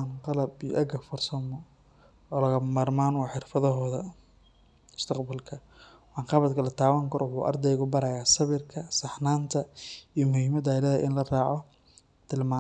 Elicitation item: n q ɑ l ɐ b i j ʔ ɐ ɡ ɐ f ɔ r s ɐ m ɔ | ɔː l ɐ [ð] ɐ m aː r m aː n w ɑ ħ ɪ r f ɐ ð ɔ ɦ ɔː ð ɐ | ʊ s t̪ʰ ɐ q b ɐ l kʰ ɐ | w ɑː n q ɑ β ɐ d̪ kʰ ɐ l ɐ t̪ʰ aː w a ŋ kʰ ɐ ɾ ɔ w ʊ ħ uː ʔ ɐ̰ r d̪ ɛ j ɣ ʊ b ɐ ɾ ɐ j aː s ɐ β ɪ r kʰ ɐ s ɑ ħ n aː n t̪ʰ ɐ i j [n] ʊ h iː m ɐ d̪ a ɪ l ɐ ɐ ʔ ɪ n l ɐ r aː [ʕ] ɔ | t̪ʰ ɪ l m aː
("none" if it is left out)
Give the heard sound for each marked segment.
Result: ɣ, m, ʕ

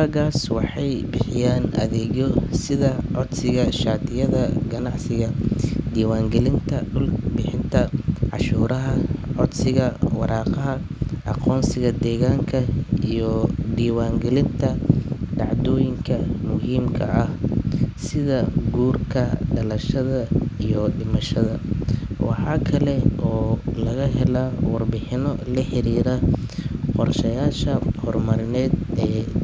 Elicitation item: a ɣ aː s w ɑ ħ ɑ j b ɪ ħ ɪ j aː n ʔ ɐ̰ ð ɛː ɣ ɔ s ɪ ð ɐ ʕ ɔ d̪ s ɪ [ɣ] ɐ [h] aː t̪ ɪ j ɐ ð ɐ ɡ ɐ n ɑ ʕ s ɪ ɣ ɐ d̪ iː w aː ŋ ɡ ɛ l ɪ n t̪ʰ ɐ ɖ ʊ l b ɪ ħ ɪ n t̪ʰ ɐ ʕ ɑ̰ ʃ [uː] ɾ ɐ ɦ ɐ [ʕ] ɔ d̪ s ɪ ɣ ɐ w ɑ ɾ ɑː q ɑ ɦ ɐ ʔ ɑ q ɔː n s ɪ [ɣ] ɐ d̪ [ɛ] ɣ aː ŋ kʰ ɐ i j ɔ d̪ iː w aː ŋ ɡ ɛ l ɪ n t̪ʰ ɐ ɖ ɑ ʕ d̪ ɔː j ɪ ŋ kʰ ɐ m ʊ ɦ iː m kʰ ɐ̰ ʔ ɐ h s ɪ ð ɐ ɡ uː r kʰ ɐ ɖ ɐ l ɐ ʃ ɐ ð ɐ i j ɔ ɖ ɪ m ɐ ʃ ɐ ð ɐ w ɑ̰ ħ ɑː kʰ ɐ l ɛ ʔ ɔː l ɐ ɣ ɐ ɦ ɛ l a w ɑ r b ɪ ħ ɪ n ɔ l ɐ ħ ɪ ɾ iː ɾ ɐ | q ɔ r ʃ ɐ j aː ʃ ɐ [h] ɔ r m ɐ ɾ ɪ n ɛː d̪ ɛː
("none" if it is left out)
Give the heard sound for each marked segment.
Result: ɣ, ʃ, uː, ʕ, ɣ, ɛː, h

